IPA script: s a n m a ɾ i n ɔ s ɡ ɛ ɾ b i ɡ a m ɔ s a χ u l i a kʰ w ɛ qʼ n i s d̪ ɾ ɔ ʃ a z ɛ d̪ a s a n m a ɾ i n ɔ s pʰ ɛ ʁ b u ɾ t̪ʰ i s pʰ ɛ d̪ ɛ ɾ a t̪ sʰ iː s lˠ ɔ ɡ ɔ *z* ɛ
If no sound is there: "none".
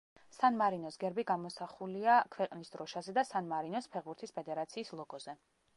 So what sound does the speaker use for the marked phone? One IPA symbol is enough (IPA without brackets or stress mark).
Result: z